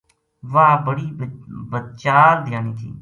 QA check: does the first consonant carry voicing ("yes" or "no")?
yes